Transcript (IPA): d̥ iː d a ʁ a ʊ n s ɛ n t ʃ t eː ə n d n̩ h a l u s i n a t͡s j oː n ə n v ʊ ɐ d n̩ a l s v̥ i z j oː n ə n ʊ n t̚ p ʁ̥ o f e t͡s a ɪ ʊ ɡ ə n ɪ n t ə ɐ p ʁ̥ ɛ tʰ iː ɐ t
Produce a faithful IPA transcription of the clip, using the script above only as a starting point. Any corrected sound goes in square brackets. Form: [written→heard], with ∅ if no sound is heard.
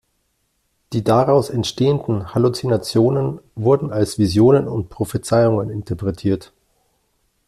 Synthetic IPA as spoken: d̥ iː d a ʁ a ʊ [n→∅] s ɛ n t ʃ t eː ə n d n̩ h a l u [s→t͡s] i n a t͡s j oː n ə n v ʊ ɐ d n̩ a l s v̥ i z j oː n ə n ʊ n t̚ p ʁ̥ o f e t͡s a ɪ ʊ [ɡ→ŋ] ə n ɪ n t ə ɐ p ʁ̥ ɛ tʰ iː ɐ t